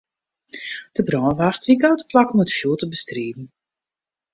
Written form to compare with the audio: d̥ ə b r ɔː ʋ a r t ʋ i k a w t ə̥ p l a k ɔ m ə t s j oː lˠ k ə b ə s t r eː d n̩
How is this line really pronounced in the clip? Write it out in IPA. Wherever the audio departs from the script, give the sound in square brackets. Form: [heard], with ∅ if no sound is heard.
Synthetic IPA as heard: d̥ ə b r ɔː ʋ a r t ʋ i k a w t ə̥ p l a k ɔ m ə t [f] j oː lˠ [t] ə b ə s t r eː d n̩